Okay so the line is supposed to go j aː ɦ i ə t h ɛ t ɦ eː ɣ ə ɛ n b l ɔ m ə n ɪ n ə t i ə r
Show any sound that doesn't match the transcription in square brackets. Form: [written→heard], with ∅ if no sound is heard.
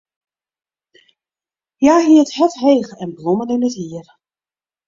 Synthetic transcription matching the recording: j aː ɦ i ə t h ɛ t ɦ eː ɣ ə ɛ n b l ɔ m ə n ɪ n ə t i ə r